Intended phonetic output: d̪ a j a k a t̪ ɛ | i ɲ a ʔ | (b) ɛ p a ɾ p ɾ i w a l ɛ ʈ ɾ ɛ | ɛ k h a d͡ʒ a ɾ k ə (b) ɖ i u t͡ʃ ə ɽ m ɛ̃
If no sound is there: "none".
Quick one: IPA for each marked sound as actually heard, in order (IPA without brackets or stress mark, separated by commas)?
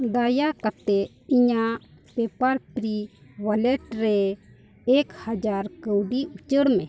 p, w